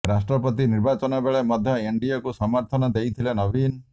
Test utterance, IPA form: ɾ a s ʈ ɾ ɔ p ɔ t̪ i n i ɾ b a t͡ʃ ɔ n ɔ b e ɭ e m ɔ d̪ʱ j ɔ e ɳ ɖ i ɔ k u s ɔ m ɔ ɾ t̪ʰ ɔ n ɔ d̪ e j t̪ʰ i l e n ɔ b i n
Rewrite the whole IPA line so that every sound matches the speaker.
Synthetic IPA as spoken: ɾ a s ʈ ɾ ɔ p ɔ t̪ i n i ɾ b a t͡ʃ ɔ n ɔ b e ɭ e m ɔ d̪ʱ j ɔ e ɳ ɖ i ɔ k u s ɔ m ɔ ɾ t̪ʰ ɔ n ɔ d̪ e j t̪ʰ i l e n ɔ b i n